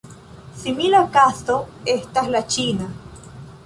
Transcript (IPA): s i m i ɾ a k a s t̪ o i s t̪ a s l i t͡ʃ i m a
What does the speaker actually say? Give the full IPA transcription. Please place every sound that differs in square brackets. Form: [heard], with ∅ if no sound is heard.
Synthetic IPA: s i m i [l] a k a s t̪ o [e] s t̪ a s l [a] t͡ʃ i [n] a